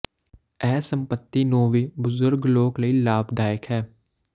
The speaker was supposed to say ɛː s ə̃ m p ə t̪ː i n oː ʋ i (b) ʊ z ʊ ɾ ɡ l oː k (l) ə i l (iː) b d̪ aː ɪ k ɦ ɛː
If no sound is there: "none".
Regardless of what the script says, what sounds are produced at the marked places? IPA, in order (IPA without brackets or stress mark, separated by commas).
b, l, aː